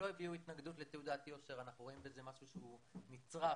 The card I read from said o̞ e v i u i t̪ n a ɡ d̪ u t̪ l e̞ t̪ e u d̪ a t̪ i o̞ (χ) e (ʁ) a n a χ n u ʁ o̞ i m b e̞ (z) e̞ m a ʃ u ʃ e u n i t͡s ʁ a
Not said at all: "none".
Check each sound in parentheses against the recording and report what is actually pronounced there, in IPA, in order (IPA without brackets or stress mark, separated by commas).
ʃ, ʁ, z